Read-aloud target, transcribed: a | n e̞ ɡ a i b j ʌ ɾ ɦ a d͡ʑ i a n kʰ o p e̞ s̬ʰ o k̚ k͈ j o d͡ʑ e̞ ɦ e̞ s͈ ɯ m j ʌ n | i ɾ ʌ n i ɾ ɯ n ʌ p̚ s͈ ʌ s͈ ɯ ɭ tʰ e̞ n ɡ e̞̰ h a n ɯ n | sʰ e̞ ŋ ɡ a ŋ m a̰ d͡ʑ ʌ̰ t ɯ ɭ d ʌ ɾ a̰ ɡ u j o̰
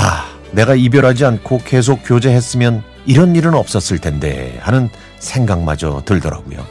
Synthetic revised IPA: a | n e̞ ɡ a i b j ʌ ɾ ɦ a d͡ʑ i a n kʰ o k e̞ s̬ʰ o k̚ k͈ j o d͡ʑ e̞ ɦ e̞ s͈ ɯ m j ʌ n | i ɾ ʌ n i ɾ ɯ n ʌ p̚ s͈ ʌ s͈ ɯ ɭ tʰ e̞ n d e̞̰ h a n ɯ n | sʰ e̞ ŋ ɡ a ŋ m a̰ d͡ʑ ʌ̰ t ɯ ɭ d ʌ ɾ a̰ ɡ u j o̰